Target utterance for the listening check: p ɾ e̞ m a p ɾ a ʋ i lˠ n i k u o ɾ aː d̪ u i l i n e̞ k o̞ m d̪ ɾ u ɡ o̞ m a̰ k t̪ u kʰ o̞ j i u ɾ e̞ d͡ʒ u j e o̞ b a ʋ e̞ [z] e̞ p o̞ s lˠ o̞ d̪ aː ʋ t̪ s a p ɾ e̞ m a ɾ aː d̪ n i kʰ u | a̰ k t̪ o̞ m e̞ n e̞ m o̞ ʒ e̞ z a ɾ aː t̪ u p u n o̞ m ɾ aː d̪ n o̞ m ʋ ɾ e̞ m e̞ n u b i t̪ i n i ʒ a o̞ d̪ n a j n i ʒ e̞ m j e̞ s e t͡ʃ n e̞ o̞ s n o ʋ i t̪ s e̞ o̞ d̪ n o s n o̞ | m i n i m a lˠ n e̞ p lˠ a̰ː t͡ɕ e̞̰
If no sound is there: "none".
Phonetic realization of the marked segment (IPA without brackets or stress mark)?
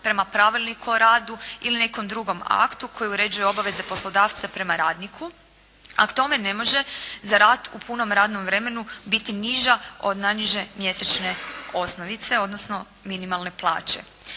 z